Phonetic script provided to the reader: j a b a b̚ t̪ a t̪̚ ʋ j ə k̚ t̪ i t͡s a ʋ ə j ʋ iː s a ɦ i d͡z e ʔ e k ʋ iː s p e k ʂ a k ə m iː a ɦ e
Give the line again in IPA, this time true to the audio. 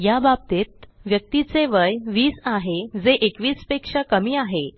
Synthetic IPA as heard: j a b a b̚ t̪ e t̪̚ ʋ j ə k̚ t̪ i t͡s e ʋ ə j ʋ iː s a ɦ e d͡z e ʔ e k ʋ iː s p e k ʂ a k ə m iː a ɦ e